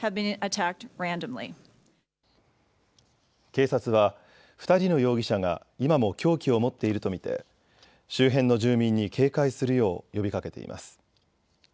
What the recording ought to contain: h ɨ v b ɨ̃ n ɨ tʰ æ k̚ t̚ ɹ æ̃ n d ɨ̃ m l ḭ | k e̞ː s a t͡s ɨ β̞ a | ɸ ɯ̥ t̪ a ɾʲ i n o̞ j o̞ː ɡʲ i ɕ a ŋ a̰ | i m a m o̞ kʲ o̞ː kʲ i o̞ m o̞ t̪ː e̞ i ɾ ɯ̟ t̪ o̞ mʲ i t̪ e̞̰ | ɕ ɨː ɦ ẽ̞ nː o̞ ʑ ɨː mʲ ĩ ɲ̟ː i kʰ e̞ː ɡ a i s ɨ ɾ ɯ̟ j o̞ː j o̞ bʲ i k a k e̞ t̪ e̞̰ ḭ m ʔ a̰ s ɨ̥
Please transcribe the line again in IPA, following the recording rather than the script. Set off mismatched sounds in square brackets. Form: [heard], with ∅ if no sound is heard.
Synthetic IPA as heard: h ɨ v b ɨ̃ n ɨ tʰ æ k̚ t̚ ɹ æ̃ n d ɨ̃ m l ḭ | k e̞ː s a t͡s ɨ β̞ a | ɸ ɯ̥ t̪ a ɾʲ i n o̞ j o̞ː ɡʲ i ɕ a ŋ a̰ | i m a m o̞ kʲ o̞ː kʲ i o̞ m o̞ t̪ː e̞ i ɾ ɯ̟ t̪ o̞ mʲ i t̪ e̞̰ | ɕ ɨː ɦ ẽ̞ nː o̞ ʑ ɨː mʲ ĩ ɲ̟ː i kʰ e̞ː [k] a i s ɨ ɾ ɯ̟ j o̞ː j o̞ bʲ i k a k e̞ t̪ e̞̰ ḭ m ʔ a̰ s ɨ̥